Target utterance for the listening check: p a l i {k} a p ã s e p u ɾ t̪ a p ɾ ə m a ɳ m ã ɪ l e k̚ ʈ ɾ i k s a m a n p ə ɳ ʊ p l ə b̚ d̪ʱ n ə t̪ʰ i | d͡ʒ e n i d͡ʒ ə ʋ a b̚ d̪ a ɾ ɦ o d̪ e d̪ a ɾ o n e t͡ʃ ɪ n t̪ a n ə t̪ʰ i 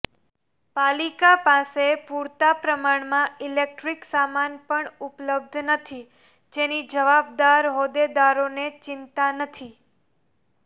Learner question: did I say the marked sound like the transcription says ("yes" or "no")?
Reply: yes